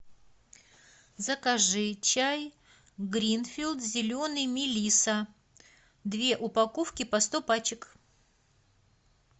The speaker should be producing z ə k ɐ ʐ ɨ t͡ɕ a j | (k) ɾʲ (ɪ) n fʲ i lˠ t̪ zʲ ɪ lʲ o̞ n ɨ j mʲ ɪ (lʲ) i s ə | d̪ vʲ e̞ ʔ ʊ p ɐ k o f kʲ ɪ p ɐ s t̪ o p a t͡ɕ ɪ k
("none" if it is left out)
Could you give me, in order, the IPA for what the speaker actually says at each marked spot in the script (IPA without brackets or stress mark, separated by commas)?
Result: ɡ, i, lʲ